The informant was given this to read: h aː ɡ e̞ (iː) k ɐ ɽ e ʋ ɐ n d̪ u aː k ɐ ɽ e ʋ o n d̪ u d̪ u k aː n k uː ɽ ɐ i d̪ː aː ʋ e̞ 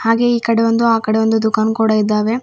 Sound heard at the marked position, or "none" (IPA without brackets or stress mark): iː